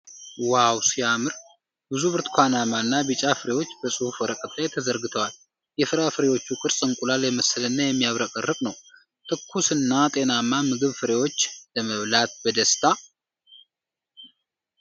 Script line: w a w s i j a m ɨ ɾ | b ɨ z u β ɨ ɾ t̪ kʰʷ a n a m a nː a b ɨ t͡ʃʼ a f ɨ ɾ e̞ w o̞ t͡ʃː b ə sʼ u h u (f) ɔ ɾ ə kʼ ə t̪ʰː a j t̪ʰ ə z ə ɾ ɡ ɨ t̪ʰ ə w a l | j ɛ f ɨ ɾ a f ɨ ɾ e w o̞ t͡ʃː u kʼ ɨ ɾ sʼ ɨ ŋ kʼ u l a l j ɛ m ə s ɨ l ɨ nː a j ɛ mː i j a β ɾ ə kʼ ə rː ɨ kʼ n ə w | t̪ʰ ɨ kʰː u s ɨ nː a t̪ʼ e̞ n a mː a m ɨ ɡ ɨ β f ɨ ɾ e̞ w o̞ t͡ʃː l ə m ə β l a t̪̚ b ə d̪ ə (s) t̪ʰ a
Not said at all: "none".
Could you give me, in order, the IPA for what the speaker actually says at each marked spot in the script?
f, s

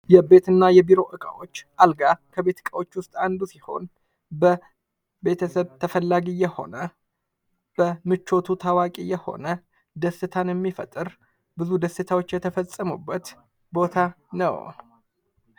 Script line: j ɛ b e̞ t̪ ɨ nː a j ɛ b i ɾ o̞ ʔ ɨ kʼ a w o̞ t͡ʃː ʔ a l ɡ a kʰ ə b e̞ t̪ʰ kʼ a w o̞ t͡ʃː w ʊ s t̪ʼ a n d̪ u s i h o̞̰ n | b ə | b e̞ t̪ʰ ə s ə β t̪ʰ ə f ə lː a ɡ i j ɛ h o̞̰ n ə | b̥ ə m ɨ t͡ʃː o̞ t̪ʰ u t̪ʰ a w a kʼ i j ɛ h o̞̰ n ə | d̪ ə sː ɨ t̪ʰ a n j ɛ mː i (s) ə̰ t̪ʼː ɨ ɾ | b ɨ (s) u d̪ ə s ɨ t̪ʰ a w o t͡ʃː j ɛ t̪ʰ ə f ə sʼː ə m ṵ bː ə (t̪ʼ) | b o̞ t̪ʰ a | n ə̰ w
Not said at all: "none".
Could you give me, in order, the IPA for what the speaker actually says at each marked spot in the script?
f, z, t̪

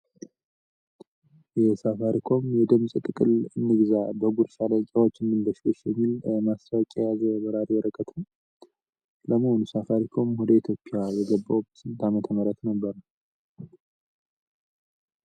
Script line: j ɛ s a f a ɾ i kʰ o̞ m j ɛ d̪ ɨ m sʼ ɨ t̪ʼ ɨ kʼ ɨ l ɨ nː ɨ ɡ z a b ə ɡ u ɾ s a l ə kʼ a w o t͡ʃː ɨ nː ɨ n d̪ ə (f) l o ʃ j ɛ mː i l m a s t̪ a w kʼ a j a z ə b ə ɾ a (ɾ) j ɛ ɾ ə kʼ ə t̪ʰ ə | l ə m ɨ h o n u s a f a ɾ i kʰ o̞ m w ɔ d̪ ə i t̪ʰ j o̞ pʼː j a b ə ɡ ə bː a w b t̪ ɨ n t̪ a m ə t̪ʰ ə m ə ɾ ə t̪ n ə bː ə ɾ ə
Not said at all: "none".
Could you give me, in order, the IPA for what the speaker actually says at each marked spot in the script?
ʃ, ɾ

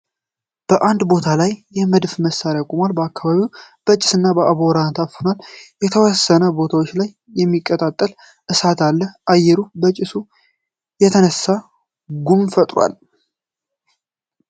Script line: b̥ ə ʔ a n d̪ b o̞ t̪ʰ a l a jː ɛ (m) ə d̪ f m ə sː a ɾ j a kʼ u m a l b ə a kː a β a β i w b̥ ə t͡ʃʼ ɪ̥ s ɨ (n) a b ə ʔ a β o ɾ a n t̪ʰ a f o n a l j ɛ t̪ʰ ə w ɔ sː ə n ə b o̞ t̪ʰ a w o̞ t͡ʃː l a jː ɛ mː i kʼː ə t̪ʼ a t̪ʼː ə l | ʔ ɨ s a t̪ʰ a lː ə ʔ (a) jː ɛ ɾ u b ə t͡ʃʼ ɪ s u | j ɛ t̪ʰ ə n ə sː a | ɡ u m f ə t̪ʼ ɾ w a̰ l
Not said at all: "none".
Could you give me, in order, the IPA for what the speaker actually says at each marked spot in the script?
m, nː, a

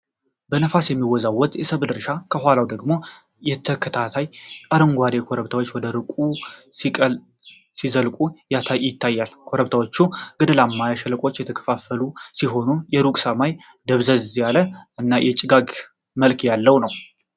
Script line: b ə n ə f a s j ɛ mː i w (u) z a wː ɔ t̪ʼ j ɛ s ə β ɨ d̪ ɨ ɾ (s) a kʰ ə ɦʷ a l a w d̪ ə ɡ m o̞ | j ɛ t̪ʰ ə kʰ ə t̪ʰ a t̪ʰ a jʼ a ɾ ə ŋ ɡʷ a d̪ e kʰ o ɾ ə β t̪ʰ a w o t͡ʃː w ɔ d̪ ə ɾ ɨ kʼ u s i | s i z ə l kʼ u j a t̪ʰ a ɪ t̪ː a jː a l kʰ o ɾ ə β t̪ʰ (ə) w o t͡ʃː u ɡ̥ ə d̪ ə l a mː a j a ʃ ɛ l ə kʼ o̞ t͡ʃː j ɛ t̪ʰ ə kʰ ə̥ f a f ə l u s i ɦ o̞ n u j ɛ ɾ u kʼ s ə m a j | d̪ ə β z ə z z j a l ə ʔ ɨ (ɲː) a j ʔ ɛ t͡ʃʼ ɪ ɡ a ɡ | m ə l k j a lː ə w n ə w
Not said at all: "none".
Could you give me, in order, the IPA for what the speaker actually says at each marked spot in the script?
ɔ, ʃ, a, nː

